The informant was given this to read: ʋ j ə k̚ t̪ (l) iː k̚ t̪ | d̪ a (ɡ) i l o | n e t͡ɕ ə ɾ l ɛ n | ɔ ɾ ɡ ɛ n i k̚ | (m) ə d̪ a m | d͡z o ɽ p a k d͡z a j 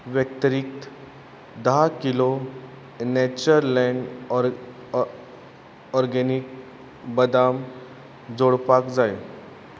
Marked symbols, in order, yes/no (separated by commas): no, no, no